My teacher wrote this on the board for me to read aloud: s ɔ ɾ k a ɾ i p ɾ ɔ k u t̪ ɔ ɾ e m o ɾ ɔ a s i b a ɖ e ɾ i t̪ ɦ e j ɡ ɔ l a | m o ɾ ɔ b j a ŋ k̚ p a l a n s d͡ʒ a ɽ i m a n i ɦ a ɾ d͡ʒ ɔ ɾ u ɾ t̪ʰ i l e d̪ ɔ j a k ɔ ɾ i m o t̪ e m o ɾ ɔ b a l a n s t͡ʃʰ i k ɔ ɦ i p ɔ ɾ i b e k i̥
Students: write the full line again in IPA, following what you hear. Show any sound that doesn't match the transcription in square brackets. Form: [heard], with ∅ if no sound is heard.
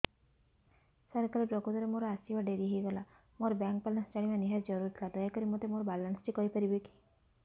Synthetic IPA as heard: s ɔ ɾ k a ɾ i p ɾ ɔ k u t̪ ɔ ɾ e m o ɾ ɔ a s i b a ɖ e ɾ i [∅] ɦ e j ɡ ɔ l a | m o ɾ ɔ b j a ŋ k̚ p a l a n s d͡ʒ a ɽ i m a n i ɦ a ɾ d͡ʒ ɔ ɾ u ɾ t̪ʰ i l [a] d̪ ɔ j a k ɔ ɾ i m o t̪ e m o ɾ ɔ b a l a n s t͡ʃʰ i k ɔ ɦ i p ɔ ɾ i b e k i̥